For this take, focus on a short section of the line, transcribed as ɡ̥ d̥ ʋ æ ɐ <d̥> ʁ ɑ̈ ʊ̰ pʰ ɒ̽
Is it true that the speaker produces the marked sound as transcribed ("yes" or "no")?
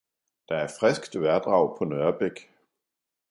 yes